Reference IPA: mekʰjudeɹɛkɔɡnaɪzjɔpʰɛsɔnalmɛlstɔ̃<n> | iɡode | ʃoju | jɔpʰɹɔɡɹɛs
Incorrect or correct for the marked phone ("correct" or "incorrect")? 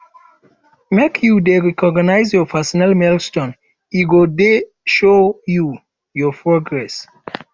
correct